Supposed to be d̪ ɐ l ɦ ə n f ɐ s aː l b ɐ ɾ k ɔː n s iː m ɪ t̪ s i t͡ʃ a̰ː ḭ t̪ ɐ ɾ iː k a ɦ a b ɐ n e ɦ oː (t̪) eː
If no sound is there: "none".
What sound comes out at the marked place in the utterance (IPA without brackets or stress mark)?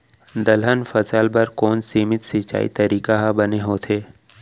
t̪ʰ